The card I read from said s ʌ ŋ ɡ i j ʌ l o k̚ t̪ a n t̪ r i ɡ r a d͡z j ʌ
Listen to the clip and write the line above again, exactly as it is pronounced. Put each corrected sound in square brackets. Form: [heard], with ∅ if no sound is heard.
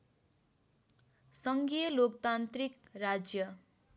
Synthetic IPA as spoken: s ʌ ŋ ɡ i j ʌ l o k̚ t̪ a n t̪ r i [k] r a d͡z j ʌ